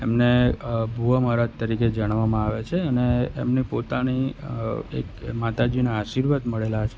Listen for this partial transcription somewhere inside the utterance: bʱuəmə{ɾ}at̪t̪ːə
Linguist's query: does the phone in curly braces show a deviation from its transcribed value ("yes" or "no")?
no